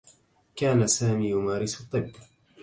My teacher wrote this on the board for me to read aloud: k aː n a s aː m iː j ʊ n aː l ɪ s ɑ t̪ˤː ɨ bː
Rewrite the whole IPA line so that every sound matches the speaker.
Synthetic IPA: k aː n a s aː m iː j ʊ m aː ɾ ɪ s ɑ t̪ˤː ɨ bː